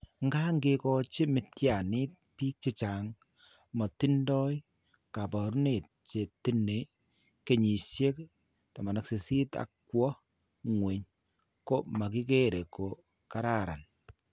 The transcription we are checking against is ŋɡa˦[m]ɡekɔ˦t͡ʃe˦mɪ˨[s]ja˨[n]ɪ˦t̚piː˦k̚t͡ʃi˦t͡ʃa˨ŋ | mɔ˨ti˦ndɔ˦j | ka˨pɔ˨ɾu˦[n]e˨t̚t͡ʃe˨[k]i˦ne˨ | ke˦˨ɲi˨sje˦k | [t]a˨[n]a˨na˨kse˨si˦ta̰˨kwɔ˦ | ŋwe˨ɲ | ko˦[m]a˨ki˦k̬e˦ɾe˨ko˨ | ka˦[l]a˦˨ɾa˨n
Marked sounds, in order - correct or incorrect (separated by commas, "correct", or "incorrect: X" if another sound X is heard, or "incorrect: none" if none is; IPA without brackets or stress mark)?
incorrect: ŋ, incorrect: t, correct, correct, incorrect: t, correct, incorrect: m, correct, incorrect: ɾ